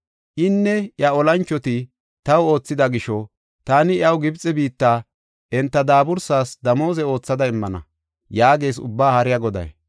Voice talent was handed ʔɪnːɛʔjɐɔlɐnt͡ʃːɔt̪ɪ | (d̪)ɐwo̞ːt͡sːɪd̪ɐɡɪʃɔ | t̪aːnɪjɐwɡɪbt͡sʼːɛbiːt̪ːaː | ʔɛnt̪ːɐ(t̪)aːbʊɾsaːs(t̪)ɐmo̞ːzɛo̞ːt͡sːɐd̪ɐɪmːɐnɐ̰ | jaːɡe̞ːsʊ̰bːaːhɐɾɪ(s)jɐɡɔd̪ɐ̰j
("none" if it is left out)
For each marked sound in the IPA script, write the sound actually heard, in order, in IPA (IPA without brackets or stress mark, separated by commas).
t̪, d̪, d̪, none